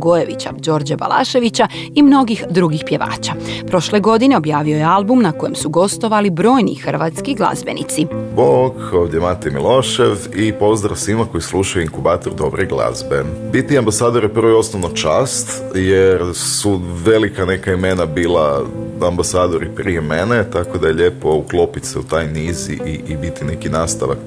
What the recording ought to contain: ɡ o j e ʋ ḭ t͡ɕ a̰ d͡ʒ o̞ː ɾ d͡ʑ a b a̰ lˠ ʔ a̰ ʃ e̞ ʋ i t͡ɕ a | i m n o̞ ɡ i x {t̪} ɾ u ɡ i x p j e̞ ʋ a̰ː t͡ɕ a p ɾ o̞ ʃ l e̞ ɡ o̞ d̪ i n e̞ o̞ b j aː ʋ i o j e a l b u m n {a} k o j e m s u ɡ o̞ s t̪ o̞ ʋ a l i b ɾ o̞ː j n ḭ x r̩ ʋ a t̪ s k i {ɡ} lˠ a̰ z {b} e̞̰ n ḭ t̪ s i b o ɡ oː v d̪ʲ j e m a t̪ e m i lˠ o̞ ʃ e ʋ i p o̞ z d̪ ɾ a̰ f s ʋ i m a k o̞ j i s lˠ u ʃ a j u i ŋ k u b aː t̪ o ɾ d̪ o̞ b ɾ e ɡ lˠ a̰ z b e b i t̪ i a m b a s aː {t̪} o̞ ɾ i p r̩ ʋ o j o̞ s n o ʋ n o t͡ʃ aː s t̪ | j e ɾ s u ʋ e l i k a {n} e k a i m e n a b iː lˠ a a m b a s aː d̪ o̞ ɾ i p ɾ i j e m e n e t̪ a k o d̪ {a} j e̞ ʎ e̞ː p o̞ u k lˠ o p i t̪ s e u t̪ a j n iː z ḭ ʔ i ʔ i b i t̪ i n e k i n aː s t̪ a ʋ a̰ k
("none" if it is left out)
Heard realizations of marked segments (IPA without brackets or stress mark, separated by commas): d̪, a, ɡ, b, d̪, n, a